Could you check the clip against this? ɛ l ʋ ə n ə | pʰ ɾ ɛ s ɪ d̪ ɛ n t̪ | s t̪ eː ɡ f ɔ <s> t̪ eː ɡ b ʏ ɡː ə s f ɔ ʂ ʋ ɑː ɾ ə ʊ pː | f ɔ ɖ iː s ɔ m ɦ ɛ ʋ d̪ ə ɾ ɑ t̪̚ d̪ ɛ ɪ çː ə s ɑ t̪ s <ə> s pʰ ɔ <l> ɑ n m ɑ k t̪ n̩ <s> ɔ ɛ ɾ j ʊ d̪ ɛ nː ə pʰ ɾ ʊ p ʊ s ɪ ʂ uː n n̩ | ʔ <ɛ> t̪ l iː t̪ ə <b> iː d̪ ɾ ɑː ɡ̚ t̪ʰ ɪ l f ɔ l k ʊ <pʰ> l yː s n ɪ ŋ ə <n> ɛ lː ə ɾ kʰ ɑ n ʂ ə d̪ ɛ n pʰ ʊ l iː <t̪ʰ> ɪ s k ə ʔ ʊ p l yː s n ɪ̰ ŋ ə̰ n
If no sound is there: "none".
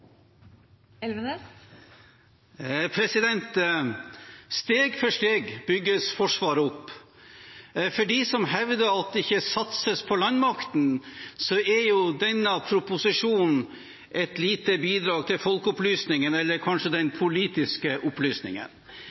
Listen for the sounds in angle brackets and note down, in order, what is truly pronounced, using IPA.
ʂ, ə, l, s, ɛ, b, p, n, t̪

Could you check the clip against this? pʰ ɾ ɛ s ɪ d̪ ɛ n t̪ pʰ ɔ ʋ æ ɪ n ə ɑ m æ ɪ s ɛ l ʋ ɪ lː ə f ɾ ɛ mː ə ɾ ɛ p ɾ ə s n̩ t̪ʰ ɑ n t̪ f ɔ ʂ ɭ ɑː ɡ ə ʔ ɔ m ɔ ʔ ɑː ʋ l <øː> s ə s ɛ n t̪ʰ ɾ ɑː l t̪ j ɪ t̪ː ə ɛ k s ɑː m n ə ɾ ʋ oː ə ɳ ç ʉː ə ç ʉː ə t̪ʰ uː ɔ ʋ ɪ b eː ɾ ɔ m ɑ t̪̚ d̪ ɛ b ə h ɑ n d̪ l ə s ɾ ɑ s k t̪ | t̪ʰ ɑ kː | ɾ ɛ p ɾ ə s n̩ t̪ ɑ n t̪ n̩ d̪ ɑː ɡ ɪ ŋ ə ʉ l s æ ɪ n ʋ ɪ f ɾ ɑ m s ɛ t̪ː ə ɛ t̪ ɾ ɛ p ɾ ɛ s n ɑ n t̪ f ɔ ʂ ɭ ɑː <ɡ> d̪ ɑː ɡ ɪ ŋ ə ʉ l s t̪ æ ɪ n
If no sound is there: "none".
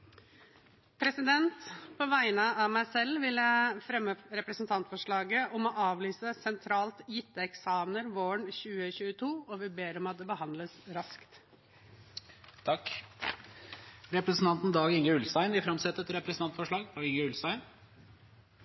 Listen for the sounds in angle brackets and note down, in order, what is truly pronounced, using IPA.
yː, ɡ

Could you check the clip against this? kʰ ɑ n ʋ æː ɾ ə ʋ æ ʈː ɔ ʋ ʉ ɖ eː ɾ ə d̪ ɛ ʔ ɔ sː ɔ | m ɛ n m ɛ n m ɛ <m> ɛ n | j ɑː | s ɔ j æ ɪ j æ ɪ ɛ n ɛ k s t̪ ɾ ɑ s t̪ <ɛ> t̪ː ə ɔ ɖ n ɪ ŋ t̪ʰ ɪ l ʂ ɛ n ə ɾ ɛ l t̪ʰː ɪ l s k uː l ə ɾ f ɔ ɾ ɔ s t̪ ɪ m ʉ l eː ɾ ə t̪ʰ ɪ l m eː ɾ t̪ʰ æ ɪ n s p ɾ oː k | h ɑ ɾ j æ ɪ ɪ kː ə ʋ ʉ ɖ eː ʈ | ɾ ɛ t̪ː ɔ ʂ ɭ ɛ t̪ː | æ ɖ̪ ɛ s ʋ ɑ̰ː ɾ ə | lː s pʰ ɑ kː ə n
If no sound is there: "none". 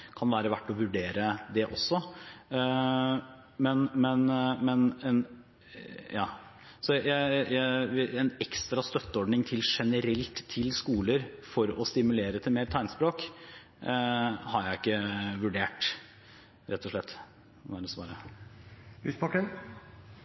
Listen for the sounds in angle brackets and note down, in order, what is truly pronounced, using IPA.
n, œ

